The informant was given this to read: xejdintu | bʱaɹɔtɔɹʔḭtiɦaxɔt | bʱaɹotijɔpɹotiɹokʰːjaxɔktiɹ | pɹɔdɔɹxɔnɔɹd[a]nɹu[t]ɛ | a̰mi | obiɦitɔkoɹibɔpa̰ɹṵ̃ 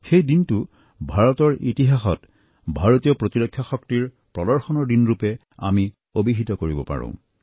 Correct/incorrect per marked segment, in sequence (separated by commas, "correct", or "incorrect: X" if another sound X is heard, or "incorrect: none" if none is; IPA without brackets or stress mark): incorrect: i, incorrect: p